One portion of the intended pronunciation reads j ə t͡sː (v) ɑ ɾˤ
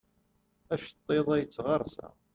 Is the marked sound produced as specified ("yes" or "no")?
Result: no